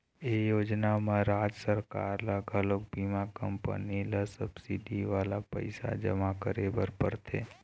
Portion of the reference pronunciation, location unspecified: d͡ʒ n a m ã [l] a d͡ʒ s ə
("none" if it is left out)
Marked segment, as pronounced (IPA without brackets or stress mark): ɾ